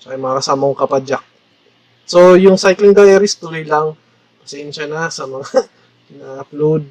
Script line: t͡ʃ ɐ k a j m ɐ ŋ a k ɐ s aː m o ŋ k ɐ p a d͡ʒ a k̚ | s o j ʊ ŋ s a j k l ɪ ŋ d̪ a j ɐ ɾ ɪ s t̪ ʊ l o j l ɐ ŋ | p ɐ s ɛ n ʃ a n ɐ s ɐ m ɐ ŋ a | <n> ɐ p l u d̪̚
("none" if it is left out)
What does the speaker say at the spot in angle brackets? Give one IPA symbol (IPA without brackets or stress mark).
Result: n